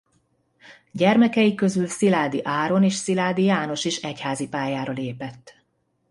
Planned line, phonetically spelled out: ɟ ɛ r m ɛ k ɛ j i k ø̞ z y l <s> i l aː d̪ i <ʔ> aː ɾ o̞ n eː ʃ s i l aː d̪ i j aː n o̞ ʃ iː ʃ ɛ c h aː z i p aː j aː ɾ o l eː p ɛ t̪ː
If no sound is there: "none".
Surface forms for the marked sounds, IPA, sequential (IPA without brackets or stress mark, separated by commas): s, ʔ